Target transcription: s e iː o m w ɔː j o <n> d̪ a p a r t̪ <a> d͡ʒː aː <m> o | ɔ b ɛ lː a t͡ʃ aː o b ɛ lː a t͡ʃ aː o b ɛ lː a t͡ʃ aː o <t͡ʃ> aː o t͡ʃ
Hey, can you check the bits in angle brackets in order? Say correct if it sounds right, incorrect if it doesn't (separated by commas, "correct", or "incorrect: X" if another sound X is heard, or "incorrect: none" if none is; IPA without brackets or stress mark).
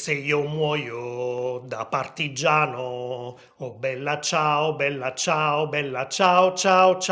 incorrect: none, incorrect: i, incorrect: n, correct